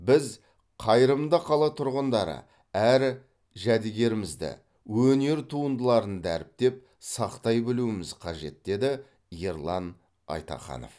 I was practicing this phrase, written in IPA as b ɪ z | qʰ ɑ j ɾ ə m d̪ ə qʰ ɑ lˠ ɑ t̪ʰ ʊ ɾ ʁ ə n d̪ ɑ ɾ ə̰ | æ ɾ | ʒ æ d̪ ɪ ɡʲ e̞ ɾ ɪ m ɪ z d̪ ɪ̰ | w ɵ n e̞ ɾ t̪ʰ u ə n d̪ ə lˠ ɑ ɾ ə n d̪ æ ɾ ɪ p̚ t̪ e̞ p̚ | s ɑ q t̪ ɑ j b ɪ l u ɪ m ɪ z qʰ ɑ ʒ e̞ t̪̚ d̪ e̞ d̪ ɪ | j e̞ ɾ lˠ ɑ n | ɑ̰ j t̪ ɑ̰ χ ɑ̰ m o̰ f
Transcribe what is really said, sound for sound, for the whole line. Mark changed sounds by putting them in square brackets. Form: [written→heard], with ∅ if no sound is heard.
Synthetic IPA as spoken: b ɪ z | qʰ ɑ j ɾ ə m d̪ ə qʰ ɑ lˠ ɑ t̪ʰ ʊ ɾ ʁ ə n d̪ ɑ ɾ ə̰ | æ ɾ | ʒ æ d̪ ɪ ɡʲ e̞ ɾ ɪ m ɪ z d̪ ɪ̰ | w ɵ n e̞ ɾ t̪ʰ u ə n d̪ ə lˠ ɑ ɾ ə n d̪ æ ɾ ɪ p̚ t̪ e̞ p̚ | s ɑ q t̪ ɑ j b ɪ l u ɪ m ɪ z qʰ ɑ ʒ e̞ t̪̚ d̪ e̞ d̪ ɪ | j e̞ ɾ lˠ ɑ n | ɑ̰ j t̪ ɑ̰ χ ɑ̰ [m→n] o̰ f